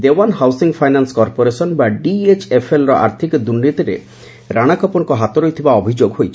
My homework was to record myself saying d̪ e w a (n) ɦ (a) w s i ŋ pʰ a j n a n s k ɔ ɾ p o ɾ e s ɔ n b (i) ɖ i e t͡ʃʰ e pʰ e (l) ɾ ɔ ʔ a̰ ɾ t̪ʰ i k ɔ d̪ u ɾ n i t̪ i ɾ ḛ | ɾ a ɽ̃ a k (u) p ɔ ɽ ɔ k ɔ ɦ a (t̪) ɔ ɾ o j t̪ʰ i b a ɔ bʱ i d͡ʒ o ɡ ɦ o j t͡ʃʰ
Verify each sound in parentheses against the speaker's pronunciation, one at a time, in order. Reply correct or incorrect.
correct, correct, incorrect, correct, incorrect, correct

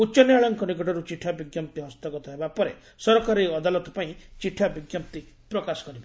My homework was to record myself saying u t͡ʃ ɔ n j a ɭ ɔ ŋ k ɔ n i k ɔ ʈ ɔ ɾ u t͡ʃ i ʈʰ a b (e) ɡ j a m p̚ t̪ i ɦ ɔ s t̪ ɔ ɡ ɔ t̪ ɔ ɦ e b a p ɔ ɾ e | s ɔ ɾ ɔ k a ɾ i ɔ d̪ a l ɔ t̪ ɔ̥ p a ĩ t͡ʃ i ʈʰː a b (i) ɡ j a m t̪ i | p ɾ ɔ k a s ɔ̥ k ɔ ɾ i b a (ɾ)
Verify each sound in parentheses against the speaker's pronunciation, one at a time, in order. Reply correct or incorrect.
incorrect, correct, incorrect

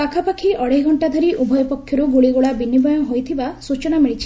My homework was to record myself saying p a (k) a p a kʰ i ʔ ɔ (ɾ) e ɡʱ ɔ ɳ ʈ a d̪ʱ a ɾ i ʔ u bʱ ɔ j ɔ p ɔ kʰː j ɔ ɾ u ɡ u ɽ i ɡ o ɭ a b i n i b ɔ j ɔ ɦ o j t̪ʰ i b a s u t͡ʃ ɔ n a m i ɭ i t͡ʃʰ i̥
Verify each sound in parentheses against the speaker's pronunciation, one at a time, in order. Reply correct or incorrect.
incorrect, incorrect

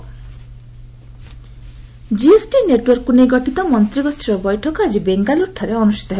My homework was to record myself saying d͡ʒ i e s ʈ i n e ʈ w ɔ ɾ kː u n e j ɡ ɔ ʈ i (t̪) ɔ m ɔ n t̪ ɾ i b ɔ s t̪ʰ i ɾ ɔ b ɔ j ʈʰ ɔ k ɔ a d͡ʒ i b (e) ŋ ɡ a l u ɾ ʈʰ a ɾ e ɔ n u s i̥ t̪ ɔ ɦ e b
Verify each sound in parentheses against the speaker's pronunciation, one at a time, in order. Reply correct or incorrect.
correct, correct

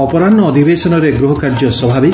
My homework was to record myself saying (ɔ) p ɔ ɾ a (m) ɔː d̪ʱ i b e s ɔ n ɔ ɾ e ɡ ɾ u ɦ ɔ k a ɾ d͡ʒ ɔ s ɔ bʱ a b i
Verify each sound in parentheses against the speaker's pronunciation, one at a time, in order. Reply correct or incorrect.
correct, incorrect

